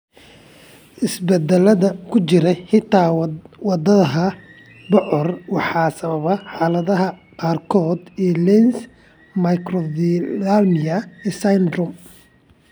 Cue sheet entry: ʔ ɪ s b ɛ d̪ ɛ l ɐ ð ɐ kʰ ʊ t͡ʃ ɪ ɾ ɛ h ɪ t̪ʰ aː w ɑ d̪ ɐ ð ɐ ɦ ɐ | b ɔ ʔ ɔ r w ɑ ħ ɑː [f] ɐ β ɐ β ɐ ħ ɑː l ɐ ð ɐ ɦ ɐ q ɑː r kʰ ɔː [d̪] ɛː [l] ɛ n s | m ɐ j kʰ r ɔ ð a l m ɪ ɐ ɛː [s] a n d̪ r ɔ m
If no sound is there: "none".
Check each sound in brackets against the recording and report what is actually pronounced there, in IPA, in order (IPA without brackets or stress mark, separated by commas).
s, d̪, l, s